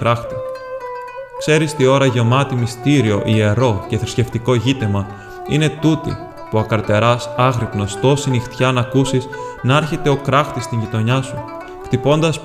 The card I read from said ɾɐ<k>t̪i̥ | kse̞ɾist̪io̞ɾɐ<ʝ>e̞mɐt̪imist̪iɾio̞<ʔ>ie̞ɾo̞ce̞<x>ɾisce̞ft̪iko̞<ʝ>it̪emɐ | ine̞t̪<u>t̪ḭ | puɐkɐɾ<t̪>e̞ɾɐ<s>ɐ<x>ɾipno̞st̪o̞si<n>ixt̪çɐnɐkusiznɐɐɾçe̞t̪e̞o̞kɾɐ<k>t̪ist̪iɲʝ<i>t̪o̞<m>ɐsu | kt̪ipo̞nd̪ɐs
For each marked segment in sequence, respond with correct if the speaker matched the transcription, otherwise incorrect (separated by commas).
incorrect, correct, correct, incorrect, correct, correct, correct, correct, incorrect, correct, incorrect, correct, incorrect